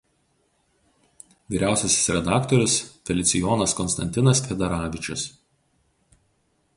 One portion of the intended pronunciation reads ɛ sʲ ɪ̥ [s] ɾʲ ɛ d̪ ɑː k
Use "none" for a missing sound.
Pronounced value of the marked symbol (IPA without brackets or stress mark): s